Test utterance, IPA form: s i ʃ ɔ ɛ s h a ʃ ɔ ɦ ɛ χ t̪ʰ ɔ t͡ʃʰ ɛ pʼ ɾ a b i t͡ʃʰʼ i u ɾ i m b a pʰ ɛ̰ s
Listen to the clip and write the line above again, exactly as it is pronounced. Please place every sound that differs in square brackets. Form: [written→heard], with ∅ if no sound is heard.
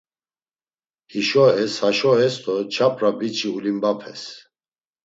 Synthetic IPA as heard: [s→h] i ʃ ɔ ɛ s h a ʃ ɔ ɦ ɛ [χ→s] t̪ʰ ɔ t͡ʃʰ [ɛ→a] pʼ ɾ a b i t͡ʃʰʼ i u [ɾ→l] i m b a pʰ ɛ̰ s